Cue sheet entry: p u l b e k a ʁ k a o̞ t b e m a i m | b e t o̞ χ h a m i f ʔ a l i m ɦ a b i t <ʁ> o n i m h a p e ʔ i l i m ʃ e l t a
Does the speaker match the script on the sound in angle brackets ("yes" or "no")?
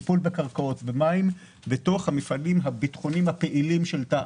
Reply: no